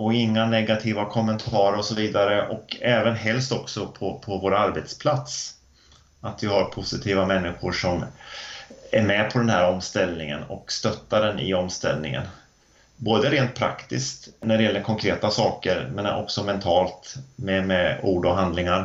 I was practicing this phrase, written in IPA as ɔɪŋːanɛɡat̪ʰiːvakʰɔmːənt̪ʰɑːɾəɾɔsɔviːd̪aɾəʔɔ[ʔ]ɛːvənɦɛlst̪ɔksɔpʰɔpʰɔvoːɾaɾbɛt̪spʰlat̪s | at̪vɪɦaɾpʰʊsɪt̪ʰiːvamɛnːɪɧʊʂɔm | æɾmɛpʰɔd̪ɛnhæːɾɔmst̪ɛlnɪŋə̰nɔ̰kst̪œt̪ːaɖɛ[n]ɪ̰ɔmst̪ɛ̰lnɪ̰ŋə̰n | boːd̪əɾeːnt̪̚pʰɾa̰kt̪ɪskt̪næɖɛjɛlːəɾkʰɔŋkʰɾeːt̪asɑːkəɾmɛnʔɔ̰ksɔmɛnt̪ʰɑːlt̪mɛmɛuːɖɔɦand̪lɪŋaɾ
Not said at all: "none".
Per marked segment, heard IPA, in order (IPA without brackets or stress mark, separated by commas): k, n